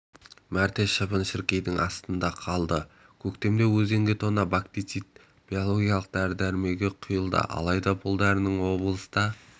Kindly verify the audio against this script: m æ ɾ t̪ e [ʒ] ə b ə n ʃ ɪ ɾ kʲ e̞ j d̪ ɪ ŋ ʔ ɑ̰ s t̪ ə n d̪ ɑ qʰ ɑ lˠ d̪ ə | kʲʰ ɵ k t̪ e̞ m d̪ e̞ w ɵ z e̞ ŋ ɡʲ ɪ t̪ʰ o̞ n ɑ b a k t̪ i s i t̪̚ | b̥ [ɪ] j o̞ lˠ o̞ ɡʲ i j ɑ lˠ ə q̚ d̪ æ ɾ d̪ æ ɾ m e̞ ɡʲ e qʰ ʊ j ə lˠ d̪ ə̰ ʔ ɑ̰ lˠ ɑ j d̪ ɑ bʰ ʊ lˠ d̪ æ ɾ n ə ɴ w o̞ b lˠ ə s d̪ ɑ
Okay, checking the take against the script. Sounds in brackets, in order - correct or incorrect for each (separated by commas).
incorrect, incorrect